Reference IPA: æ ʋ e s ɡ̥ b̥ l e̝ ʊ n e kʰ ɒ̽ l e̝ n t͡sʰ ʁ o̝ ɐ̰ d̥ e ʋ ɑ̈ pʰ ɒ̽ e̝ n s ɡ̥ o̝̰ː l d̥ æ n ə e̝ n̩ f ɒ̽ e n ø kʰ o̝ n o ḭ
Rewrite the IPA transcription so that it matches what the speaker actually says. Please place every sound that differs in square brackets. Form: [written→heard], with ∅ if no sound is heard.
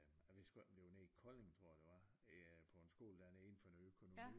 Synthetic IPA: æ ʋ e s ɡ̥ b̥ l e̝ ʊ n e kʰ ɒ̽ l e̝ [n→ŋ] t͡sʰ ʁ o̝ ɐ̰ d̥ e ʋ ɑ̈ pʰ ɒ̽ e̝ n s ɡ̥ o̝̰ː l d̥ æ n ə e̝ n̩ f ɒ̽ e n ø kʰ o̝ n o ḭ